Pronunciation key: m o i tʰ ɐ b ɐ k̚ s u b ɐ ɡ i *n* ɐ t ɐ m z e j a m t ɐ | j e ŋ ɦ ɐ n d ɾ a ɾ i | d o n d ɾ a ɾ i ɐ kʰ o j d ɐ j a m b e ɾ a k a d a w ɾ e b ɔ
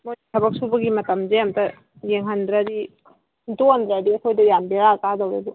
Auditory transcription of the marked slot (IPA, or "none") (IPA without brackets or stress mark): m